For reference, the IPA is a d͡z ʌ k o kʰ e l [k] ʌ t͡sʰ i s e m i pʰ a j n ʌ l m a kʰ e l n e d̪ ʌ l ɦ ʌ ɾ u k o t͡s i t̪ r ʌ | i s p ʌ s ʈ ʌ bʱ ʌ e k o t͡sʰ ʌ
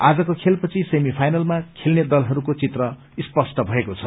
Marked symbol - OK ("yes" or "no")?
no